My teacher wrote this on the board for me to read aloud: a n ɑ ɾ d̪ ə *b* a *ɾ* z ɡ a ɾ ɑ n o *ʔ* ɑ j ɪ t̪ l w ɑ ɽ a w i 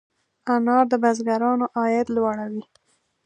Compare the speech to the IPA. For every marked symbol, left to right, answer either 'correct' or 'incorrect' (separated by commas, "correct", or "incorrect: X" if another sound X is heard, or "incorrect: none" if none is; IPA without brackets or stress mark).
correct, incorrect: none, correct